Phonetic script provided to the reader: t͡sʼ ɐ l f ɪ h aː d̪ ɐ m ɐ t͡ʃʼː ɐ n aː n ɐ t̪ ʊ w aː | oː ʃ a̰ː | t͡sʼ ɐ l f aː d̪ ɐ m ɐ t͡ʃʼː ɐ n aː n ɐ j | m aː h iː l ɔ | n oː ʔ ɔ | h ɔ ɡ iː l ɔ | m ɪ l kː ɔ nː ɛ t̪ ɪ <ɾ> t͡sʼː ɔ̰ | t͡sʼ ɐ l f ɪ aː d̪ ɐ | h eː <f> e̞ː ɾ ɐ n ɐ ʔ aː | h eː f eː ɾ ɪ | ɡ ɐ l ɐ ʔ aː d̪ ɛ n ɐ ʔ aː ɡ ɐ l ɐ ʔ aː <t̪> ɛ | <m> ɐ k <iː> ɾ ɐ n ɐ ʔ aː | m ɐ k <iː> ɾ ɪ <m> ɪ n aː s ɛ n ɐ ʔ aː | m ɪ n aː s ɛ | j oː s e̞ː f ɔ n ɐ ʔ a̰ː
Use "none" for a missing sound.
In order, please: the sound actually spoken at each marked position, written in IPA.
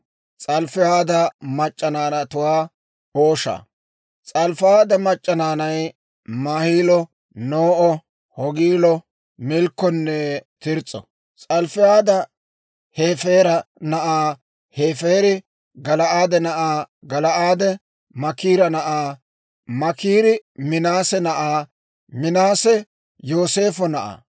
ɾ, f, d̪, m, iː, iː, m

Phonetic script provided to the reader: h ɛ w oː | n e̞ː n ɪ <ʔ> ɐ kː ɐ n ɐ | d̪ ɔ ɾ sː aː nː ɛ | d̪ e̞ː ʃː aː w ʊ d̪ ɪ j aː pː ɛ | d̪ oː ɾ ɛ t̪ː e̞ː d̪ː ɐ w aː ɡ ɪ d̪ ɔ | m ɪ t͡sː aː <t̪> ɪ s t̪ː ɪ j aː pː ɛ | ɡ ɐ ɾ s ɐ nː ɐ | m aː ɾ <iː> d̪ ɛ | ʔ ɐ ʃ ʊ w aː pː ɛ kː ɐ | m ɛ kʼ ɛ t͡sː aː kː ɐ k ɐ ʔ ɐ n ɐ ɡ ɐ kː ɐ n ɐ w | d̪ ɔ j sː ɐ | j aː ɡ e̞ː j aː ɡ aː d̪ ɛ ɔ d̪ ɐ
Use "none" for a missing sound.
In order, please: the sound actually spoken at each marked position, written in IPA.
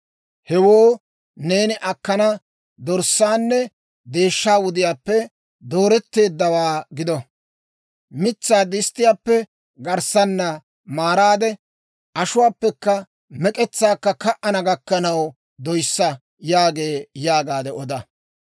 ʔ, d̪, aː

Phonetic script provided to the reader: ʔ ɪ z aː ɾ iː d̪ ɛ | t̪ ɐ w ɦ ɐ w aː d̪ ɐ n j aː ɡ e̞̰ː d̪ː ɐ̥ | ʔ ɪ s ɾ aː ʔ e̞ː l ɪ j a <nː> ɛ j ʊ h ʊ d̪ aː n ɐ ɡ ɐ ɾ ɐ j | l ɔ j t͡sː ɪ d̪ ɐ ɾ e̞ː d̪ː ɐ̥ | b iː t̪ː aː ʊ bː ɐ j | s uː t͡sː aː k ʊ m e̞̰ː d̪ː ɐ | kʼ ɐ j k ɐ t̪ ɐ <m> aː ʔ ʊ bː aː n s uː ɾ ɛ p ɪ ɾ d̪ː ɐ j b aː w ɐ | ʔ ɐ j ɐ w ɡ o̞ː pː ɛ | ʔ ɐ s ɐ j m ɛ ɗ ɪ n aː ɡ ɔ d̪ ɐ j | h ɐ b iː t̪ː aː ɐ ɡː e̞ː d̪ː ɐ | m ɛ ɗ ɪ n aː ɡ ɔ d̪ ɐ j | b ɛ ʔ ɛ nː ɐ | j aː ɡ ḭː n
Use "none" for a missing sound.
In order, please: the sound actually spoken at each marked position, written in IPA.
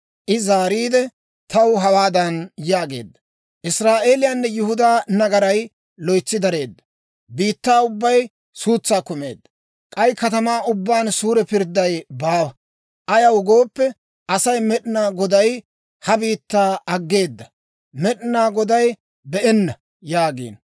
nː, m

